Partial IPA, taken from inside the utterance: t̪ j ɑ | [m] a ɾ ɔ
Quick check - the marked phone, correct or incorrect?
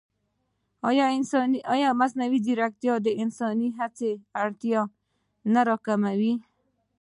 incorrect